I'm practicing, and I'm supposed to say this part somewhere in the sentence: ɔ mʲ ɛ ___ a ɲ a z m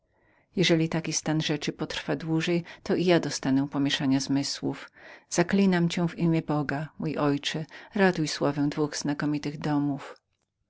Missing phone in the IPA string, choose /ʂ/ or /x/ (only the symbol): ʂ